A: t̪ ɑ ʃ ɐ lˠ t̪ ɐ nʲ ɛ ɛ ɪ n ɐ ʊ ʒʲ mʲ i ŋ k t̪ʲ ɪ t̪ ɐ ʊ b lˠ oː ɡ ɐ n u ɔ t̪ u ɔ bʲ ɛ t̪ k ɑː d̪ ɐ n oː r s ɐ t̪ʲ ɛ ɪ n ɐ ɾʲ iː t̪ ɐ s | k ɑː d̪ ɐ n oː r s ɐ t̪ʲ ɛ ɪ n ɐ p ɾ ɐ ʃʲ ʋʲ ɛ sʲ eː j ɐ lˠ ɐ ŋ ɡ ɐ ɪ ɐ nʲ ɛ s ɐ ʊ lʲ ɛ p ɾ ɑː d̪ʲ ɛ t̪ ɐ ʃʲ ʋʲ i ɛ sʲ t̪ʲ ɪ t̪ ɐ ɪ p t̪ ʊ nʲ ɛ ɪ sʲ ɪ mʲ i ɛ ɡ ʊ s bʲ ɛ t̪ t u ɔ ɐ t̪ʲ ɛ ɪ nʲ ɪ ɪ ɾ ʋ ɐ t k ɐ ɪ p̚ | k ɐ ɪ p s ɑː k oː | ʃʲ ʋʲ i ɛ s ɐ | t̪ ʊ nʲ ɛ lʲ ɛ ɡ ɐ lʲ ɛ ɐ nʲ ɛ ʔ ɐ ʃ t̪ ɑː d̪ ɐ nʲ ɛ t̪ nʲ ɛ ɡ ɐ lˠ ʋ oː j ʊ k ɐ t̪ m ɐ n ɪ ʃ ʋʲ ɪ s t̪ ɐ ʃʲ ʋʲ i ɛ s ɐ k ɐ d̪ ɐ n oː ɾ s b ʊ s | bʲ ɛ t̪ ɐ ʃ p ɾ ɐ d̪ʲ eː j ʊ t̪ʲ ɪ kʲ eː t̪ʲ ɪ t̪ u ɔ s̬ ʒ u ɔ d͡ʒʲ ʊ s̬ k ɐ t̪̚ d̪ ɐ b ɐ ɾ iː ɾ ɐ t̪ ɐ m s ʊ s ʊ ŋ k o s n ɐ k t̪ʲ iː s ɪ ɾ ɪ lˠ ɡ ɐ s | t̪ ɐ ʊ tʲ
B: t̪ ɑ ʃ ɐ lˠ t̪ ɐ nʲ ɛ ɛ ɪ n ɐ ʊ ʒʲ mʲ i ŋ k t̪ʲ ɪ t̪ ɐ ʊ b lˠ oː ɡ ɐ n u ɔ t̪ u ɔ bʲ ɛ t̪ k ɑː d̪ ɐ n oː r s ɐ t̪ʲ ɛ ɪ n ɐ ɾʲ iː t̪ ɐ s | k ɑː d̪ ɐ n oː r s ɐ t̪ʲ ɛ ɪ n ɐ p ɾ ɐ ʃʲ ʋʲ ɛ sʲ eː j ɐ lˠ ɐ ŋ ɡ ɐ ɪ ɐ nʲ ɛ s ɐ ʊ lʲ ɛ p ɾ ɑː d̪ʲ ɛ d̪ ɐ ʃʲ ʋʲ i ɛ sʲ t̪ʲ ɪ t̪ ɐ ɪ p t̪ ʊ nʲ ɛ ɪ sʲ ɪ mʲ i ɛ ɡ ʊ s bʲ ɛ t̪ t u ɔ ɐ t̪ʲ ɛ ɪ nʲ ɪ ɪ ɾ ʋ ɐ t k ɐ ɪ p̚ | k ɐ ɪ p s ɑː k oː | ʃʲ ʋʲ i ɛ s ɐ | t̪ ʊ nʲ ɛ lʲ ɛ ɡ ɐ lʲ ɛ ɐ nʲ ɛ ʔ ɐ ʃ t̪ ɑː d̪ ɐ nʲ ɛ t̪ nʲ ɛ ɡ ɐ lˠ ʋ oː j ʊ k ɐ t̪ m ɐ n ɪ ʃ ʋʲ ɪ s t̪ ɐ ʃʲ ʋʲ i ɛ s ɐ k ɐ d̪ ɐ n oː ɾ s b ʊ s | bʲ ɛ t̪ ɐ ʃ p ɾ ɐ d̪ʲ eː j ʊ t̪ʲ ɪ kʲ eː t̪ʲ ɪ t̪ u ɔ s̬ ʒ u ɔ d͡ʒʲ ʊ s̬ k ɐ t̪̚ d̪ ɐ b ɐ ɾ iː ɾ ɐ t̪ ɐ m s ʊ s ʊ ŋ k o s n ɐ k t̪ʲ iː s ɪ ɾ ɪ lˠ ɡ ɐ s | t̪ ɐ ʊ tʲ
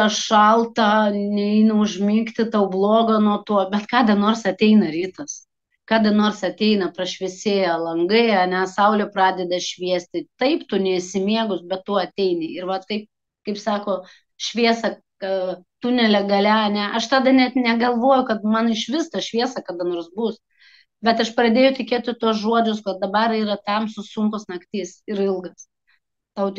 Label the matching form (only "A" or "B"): B